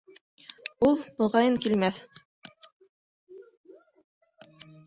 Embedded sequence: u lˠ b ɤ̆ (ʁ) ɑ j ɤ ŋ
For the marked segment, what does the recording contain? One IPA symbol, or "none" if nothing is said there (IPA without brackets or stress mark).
ʁ